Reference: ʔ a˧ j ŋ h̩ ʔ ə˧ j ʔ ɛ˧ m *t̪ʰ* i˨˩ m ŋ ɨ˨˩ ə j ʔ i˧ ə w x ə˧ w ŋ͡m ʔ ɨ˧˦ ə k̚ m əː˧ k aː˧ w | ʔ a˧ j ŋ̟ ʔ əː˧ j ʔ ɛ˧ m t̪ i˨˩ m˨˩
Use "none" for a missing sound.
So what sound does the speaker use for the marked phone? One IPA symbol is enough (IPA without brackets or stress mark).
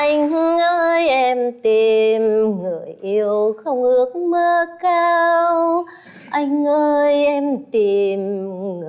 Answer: t̪